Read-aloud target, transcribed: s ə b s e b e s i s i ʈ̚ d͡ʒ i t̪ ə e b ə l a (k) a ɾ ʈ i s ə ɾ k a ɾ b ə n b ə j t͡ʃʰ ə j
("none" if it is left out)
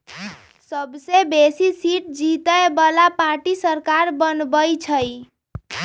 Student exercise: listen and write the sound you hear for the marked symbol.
p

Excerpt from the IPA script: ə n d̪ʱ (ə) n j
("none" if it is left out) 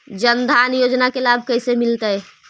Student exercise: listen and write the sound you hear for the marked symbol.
a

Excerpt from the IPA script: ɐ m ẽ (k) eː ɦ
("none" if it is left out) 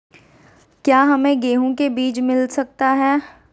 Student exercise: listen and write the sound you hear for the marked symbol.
ɡ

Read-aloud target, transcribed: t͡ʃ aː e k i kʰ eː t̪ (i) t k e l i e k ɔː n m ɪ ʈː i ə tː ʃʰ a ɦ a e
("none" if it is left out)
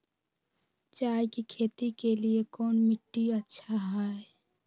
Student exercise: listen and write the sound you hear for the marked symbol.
i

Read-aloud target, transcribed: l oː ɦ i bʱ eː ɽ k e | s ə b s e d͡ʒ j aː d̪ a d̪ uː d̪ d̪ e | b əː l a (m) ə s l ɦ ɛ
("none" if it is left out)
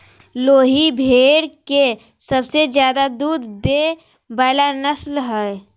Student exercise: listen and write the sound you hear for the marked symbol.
n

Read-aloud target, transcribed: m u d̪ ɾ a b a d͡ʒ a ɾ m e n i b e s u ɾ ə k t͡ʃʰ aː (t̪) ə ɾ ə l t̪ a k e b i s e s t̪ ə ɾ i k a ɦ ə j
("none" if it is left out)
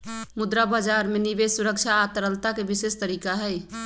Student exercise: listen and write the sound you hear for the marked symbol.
t̪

